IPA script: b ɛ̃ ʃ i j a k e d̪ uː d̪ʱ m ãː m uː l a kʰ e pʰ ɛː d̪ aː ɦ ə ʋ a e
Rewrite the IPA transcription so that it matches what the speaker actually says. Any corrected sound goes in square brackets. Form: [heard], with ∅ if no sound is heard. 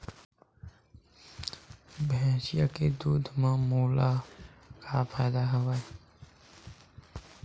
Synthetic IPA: b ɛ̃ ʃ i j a k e d̪ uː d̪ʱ m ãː m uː l a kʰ [a] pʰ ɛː d̪ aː ɦ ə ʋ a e

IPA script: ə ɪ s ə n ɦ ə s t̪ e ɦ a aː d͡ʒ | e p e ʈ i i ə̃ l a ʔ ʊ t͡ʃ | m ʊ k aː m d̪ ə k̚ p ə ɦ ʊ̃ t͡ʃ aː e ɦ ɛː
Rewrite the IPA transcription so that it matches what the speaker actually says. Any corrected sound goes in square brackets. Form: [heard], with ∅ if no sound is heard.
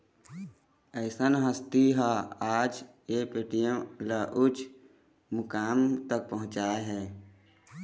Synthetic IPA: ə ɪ s ə n ɦ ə s t̪ [i] ɦ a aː d͡ʒ | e p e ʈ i [j] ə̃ l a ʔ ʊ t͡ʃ | m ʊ k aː m [t̪] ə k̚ p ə ɦ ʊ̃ t͡ʃ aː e ɦ ɛː

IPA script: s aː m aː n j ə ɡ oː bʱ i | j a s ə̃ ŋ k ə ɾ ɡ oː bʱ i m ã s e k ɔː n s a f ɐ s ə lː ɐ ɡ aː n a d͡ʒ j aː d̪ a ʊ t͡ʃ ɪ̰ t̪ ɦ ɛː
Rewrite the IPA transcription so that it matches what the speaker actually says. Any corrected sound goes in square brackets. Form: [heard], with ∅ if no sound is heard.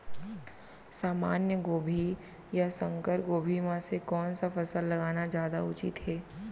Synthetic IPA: s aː m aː n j ə ɡ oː bʱ i | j a s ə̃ ŋ k ə ɾ ɡ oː bʱ i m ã s e k ɔː n s a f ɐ s ə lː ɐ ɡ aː n a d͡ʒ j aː d̪ a ʊ t͡ʃ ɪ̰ t̪ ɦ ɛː

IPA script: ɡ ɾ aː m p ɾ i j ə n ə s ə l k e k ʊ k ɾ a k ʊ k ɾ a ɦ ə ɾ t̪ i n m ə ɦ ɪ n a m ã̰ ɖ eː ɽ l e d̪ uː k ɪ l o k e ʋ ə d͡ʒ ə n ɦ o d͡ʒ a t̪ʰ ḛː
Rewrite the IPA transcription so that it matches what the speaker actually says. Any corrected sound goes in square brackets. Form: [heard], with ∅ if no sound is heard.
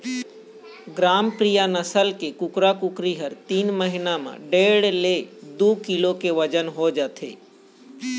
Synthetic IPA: ɡ ɾ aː m p ɾ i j [a] n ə s ə l k e k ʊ k ɾ a k ʊ k ɾ [i] ɦ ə ɾ t̪ [iː] n m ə ɦ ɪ n a m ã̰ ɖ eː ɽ l e d̪ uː k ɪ l o k e ʋ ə d͡ʒ ə n ɦ o d͡ʒ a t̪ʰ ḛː

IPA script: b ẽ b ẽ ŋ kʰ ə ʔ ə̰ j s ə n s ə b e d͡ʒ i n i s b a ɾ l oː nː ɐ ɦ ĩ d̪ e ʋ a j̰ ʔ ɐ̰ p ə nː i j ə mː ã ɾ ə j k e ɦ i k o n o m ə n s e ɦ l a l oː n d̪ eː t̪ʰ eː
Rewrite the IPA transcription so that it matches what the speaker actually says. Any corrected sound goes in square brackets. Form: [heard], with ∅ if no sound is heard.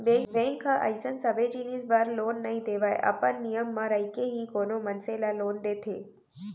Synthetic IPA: b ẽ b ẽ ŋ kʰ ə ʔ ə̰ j s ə n s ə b e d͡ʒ i n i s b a ɾ l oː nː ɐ ɦ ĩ d̪ e ʋ a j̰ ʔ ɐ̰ p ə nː i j ə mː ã ɾ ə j k e ɦ i k o n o m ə n s e [∅] l a l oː n d̪ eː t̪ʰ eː

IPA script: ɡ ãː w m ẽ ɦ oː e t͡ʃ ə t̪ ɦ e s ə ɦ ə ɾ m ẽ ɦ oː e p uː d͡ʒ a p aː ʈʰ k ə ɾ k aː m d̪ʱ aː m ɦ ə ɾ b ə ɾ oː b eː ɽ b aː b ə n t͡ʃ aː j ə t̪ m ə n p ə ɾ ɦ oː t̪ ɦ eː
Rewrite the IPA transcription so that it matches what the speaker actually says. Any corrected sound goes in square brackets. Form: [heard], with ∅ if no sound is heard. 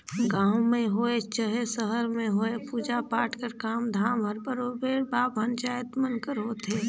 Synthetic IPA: ɡ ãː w m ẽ ɦ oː e t͡ʃ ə [∅] ɦ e s ə ɦ ə ɾ m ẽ ɦ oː e p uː d͡ʒ a p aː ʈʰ k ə ɾ k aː m d̪ʱ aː m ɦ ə ɾ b ə ɾ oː b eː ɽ b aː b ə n t͡ʃ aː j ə t̪ m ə n [k] ə ɾ ɦ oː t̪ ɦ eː

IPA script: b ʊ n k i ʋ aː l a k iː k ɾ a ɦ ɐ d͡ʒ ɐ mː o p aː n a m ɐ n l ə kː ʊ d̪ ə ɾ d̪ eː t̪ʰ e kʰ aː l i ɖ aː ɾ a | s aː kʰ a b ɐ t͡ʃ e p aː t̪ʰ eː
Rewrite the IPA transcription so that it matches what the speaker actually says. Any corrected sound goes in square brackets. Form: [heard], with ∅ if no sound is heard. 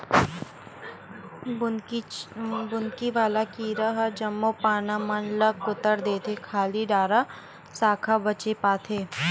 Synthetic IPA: b ʊ n k i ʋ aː l a k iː [∅] ɾ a ɦ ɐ d͡ʒ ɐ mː o p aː n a m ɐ n l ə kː ʊ [t̪] ə ɾ d̪ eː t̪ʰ e kʰ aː l i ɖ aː ɾ a | s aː kʰ a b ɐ t͡ʃ e p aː t̪ʰ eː

